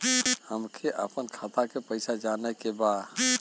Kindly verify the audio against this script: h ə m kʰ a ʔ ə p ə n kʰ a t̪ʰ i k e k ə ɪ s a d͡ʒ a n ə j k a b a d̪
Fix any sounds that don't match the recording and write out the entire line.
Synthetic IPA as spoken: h ə m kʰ e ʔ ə p ə n kʰ a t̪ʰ a k e p ə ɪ s a d͡ʒ a n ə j k e b a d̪